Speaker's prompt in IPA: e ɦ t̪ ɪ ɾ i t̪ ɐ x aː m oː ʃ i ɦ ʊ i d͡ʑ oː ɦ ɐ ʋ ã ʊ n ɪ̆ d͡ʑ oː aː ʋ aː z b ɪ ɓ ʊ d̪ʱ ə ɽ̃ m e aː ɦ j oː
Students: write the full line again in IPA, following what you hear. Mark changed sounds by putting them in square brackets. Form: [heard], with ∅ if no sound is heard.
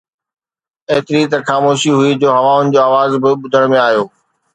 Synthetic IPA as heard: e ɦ t̪ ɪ ɾ i t̪ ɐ x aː m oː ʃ i ɦ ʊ i d͡ʑ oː ɦ ɐ ʋ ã ʊ n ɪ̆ d͡ʑ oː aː ʋ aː z b ɪ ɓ ʊ d̪ʱ ə ɽ̃ m [ẽ] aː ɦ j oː